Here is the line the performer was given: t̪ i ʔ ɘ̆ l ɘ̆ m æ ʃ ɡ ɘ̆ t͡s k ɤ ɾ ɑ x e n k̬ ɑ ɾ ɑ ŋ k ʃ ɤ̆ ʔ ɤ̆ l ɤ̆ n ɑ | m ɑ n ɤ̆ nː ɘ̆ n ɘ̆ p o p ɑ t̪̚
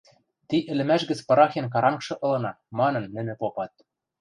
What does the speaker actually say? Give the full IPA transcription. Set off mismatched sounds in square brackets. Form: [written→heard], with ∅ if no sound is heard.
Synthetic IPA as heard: t̪ i ʔ ɘ̆ l ɘ̆ m æ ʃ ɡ ɘ̆ t͡s [k→p] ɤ ɾ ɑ x e n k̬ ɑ ɾ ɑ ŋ k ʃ ɤ̆ ʔ ɤ̆ l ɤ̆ n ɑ | m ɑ n ɤ̆ nː ɘ̆ n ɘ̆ p o p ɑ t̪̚